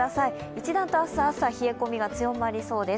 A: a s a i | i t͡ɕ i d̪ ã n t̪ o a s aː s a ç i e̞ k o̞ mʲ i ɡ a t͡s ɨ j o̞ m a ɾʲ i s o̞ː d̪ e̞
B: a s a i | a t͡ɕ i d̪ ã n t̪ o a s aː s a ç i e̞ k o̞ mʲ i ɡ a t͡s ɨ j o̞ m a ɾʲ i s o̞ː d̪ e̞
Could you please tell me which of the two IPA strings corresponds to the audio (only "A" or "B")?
A